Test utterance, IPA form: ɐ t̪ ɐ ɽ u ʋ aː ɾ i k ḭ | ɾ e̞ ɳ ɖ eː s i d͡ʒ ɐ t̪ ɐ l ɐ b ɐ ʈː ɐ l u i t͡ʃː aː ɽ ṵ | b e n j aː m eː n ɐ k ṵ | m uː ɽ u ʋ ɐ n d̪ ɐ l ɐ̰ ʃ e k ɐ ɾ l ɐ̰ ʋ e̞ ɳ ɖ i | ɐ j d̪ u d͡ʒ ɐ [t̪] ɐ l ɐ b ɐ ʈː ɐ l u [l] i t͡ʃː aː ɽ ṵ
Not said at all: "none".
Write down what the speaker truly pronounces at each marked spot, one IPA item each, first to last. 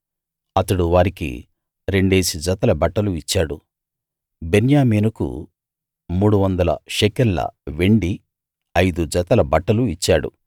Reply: t̪, none

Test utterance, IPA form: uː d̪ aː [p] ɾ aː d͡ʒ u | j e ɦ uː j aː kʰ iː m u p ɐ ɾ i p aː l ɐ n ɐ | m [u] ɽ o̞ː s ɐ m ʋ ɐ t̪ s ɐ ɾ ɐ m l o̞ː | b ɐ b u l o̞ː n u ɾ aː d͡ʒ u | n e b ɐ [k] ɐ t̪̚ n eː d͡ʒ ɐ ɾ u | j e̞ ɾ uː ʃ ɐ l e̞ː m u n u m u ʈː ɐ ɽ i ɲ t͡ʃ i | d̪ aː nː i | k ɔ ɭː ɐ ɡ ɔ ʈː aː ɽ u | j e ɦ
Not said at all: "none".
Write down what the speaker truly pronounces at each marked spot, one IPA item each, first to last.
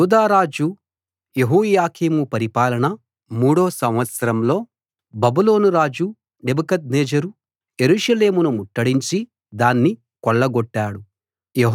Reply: none, uː, k

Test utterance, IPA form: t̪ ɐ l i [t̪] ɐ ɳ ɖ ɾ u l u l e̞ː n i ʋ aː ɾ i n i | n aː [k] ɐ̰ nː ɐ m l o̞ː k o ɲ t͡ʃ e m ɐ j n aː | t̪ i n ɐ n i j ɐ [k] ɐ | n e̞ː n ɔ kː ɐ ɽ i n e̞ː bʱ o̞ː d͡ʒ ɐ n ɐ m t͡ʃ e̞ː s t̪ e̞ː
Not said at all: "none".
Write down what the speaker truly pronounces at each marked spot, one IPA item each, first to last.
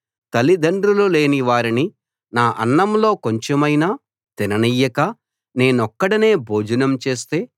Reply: d̪, ʔ, k

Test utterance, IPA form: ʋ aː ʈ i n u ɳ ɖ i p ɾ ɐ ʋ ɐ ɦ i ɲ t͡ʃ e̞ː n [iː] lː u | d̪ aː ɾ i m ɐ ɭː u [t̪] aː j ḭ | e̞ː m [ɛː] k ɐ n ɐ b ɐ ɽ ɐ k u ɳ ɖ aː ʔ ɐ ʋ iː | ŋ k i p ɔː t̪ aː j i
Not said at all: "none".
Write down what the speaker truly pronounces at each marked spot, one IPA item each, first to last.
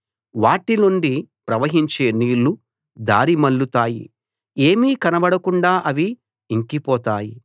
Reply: iː, t̪, iː

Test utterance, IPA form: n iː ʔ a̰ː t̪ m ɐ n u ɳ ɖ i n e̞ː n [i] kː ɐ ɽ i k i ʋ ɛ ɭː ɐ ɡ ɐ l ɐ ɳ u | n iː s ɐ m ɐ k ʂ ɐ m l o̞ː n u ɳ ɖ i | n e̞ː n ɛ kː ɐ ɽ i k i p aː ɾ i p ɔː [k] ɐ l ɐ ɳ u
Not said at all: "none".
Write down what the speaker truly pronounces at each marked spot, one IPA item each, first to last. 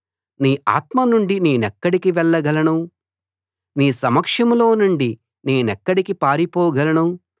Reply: ɛ, ɡ

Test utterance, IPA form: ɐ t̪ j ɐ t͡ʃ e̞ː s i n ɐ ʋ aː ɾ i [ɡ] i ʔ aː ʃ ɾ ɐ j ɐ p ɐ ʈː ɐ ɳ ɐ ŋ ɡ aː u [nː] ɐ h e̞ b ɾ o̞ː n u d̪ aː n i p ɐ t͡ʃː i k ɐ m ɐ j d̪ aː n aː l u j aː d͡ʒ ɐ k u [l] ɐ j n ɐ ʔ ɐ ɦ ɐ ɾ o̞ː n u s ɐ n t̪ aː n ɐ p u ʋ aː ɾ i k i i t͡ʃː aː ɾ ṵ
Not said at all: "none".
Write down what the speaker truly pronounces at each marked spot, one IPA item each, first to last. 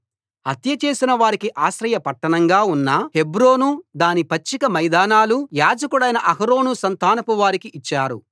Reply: k, nː, ɽ

